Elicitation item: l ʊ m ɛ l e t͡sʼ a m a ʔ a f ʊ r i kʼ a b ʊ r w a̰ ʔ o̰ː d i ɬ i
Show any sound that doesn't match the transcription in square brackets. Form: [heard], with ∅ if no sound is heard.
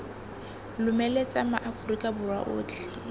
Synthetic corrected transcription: l ʊ m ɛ l e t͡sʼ a m a ʔ a f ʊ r i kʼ a b ʊ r w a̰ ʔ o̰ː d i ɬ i